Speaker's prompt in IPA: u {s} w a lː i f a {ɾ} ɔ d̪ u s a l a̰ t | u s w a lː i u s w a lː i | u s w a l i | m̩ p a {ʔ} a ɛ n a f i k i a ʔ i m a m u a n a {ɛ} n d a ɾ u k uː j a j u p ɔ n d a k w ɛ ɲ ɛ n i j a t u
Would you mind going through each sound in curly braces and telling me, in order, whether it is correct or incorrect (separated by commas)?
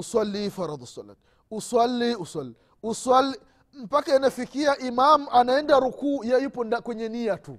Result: correct, correct, incorrect, correct